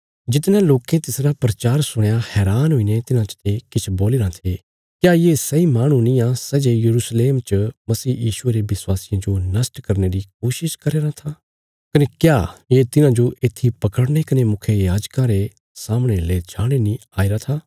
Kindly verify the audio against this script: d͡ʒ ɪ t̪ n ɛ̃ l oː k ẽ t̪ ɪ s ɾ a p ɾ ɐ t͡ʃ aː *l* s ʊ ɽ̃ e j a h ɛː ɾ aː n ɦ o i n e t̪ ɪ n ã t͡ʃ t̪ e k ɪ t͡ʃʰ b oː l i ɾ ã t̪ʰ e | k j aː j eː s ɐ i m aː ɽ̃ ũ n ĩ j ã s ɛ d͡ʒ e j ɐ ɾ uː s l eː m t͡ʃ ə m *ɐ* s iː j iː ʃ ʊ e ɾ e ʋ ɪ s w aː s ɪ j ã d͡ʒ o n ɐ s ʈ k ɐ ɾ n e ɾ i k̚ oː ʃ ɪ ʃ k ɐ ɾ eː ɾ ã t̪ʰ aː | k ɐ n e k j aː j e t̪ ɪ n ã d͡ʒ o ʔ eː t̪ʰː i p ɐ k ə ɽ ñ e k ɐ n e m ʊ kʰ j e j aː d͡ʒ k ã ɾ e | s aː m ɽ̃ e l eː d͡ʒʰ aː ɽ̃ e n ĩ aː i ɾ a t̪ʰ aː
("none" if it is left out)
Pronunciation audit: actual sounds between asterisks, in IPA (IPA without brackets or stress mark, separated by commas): ɾ, ɐ